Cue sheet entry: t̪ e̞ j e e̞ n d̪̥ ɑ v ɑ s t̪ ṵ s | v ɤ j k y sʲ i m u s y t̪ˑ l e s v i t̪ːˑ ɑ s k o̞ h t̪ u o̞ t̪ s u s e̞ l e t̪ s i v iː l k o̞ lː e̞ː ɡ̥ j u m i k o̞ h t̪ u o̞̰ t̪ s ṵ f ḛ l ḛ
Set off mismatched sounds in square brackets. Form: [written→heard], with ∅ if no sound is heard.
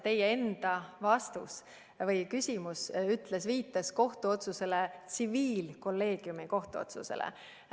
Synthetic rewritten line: t̪ e̞ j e e̞ n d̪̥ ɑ v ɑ s t̪ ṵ s | v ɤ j k y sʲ i m u s y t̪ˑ l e s v [i→iː] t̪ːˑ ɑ s k o̞ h t̪ u o̞ t̪ s u s e̞ l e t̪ s i v iː l k o̞ lː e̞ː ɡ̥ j u m i k o̞ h t̪ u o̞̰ t̪ s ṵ [f→s] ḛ l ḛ